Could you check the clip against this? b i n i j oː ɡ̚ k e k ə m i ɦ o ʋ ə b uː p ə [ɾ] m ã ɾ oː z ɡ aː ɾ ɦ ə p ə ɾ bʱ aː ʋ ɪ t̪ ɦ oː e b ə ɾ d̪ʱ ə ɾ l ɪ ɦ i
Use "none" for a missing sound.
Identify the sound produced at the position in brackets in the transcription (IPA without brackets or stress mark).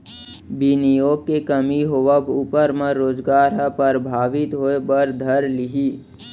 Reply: ɾ